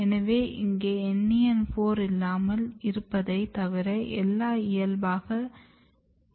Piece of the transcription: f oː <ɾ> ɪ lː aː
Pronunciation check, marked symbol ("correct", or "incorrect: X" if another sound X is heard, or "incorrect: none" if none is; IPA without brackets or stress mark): correct